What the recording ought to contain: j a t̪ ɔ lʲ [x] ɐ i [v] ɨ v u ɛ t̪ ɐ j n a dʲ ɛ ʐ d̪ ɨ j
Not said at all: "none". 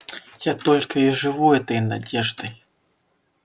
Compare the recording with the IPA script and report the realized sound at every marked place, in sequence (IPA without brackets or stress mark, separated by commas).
k, ʐ